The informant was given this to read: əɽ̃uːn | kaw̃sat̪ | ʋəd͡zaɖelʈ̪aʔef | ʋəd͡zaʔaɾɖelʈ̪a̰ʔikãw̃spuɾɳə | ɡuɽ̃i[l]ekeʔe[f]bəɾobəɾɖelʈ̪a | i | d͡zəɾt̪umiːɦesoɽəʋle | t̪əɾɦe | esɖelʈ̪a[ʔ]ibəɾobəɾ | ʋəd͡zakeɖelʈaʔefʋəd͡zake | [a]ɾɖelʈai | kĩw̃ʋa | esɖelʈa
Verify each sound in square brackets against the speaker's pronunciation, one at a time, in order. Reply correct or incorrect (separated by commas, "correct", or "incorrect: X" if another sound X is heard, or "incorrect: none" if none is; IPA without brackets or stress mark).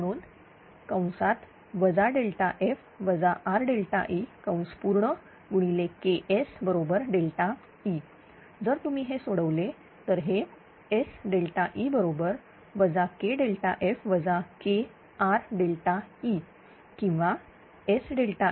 correct, incorrect: s, correct, correct